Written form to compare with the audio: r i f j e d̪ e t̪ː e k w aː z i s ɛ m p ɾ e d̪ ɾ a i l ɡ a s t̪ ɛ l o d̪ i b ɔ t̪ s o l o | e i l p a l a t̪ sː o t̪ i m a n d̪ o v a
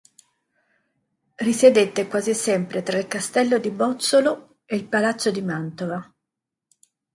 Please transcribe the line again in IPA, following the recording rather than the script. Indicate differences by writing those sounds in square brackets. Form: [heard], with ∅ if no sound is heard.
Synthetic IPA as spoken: r i [s] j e d̪ e t̪ː e k w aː z i s ɛ m p ɾ e [t̪] ɾ a i l [k] a s t̪ ɛ [lː] o d̪ i b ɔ t̪ s o l o | e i l p a l a t̪ sː o [d̪] i m a n [t̪] o v a